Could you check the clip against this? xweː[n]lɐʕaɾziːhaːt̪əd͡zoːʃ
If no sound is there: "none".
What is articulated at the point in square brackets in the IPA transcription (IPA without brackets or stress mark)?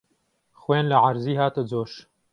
n